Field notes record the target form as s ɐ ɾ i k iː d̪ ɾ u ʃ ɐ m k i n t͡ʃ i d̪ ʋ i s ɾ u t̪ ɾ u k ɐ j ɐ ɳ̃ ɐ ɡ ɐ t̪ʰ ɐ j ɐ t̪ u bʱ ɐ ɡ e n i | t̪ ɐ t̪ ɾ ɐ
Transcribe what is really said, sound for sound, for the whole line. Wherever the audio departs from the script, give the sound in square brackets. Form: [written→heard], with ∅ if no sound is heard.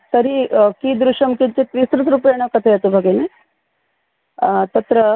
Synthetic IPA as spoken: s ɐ ɾ i k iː d̪ ɾ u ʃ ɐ m k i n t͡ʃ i [d̪→t̪] ʋ i s ɾ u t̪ ɾ u [k→p] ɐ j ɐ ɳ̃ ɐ [ɡ→k] ɐ t̪ʰ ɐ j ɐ t̪ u bʱ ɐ ɡ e n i | t̪ ɐ t̪ ɾ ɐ